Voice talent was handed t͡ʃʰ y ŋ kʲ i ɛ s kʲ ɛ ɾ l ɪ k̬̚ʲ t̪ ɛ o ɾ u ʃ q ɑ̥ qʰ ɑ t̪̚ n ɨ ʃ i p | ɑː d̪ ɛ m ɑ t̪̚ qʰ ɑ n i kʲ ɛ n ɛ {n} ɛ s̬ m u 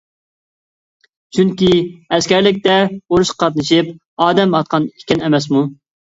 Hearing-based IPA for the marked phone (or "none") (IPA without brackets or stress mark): m